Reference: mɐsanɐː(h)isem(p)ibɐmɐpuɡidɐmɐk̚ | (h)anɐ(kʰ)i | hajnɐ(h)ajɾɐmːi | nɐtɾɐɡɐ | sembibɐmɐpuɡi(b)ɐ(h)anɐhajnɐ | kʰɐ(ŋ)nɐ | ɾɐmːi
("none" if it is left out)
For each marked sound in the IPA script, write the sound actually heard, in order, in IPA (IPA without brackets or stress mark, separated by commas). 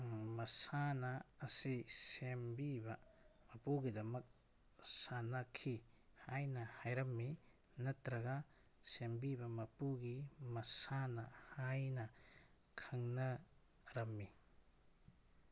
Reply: s, b, s, kʰ, h, m, s, ŋ